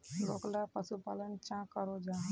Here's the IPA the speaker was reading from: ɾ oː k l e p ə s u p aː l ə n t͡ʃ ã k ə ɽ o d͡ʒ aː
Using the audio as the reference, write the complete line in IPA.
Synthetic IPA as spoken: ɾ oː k l a p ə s u p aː l ə n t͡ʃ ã k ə ɾ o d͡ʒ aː